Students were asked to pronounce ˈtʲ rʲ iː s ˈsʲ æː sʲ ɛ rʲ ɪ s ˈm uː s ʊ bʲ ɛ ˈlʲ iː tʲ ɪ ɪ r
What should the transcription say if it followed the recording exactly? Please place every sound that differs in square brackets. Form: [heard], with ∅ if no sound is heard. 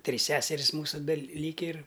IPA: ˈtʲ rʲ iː s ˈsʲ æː sʲ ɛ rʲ ɪ s ˈm uː s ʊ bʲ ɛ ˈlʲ iː [kʲ] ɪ ɪ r

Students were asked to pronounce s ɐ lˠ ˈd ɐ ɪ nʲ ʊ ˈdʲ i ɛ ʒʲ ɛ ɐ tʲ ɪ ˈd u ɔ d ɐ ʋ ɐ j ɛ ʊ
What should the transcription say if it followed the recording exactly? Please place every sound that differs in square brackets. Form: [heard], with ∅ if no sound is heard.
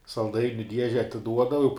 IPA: s ɐ lˠ ˈd ɐ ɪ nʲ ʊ ˈdʲ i ɛ ʒʲ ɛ ɐ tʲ ɪ ˈd u ɔ d ɐ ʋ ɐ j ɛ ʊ

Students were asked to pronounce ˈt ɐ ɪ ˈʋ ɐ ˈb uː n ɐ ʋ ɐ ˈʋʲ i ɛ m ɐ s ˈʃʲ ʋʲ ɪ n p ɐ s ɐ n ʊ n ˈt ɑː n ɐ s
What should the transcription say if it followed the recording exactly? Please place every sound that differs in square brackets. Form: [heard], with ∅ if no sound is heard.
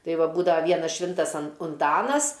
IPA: ˈt ɐ ɪ ˈʋ ɐ ˈb uː [d] ɐ ʋ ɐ ˈʋʲ i ɛ [n] ɐ s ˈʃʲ ʋʲ ɪ n [t] ɐ s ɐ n ʊ n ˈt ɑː n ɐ s

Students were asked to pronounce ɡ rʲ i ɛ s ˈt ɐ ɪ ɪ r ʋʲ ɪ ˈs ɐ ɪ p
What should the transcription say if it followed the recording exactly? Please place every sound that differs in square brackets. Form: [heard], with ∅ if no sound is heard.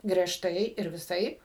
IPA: ɡ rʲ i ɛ [ʃ] ˈt ɐ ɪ ɪ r ʋʲ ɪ ˈs ɐ ɪ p

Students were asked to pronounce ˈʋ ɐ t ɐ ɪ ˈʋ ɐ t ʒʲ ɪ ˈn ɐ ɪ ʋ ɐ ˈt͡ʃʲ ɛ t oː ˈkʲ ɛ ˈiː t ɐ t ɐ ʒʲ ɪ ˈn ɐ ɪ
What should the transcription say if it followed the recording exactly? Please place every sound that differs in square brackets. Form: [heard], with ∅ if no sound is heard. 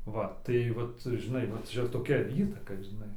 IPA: ˈʋ ɐ t ɐ ɪ ˈʋ ɐ t ʒʲ ɪ ˈn ɐ ɪ ʋ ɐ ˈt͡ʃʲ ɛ t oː ˈkʲ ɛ ˈiː t ɐ [k] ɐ ʒʲ ɪ ˈn ɐ ɪ

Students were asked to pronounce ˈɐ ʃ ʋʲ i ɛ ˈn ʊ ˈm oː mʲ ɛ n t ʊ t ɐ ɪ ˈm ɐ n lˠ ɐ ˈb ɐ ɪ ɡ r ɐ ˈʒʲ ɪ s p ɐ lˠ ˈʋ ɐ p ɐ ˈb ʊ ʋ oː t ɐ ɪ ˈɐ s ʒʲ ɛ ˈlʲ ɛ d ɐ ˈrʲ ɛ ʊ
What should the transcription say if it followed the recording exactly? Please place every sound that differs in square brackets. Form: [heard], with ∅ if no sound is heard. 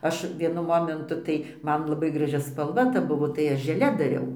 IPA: ˈɐ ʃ ʋʲ i ɛ ˈn ʊ ˈm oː mʲ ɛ n t ʊ t ɐ ɪ ˈm ɐ n lˠ ɐ ˈb ɐ ɪ ɡ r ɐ ˈʒʲ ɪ s p ɐ lˠ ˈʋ ɐ [t] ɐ ˈb ʊ ʋ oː t ɐ ɪ ˈɐ [ʃ] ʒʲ ɛ ˈlʲ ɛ d ɐ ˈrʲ ɛ ʊ

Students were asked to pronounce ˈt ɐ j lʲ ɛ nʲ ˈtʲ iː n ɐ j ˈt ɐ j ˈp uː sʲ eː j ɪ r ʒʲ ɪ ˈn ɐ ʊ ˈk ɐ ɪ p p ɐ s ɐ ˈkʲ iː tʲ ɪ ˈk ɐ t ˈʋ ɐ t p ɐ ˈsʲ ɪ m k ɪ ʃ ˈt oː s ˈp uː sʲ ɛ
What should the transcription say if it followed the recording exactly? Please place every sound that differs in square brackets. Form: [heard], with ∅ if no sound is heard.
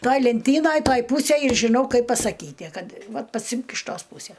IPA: ˈt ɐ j lʲ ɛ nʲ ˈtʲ iː n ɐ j ˈt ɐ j ˈp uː sʲ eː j ɪ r ʒʲ ɪ ˈn ɐ ʊ ˈk ɐ ɪ p p ɐ s ɐ ˈkʲ iː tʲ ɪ ˈk ɐ t ˈʋ ɐ t p ɐ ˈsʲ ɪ m k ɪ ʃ ˈt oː s ˈp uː sʲ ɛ

